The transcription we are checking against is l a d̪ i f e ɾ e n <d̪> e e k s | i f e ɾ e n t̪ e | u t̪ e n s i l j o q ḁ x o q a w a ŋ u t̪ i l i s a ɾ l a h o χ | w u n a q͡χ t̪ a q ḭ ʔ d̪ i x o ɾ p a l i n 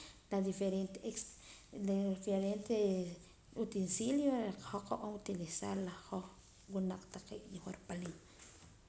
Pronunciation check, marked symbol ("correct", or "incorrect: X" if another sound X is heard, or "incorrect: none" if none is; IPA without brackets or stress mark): incorrect: t̪